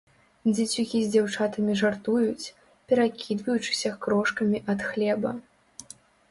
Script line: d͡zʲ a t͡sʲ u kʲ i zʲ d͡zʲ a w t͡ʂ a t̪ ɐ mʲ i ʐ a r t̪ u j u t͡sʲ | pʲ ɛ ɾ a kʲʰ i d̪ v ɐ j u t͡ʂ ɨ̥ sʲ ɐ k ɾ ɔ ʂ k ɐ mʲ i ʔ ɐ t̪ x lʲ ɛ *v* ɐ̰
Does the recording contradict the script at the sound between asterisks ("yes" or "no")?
yes